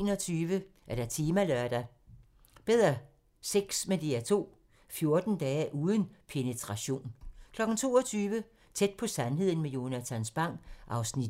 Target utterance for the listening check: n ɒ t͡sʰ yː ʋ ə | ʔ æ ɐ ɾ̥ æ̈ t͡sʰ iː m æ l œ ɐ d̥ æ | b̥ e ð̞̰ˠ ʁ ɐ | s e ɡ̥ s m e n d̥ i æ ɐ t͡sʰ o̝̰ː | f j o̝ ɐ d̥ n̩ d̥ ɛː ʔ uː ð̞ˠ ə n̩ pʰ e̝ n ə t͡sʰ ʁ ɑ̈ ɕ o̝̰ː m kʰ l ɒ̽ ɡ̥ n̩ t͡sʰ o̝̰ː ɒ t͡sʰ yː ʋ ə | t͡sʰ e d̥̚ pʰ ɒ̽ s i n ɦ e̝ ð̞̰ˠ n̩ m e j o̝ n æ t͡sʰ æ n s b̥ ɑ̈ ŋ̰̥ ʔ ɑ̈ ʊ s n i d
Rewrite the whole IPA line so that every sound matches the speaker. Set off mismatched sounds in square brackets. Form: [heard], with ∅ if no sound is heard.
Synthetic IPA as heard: n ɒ t͡sʰ yː ʋ ə | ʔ æ ɐ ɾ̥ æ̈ t͡sʰ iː m æ l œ ɐ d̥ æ | b̥ e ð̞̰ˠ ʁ ɐ | s e ɡ̥ s m e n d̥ i æ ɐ t͡sʰ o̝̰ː | f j o̝ ɐ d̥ n̩ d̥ ɛː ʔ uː ð̞ˠ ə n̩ pʰ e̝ n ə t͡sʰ ʁ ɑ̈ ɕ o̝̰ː [n] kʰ l ɒ̽ ɡ̥ n̩ t͡sʰ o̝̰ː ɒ t͡sʰ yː ʋ ə | t͡sʰ e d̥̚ pʰ ɒ̽ s [æ] n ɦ e̝ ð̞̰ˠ n̩ m e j o̝ n æ t͡sʰ æ n s b̥ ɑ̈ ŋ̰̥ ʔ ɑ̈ ʊ s n i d